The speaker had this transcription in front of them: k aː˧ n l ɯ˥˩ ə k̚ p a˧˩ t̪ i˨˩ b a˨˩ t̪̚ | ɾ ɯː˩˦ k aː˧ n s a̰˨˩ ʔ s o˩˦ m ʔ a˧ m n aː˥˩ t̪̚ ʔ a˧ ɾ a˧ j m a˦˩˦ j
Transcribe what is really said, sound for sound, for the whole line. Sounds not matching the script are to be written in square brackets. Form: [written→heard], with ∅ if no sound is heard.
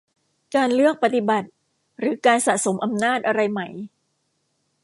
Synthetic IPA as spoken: k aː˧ n l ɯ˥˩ ə k̚ p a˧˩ t̪ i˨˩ b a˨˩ t̪̚ | ɾ ɯː˩˦ k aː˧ n s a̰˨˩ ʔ s o˩˦ m ʔ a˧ m n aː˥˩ t̪̚ ʔ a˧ ɾ a˧ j m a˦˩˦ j